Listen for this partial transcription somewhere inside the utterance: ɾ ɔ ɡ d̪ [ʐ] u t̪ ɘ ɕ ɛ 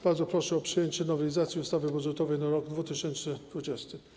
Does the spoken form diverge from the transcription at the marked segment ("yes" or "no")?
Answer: yes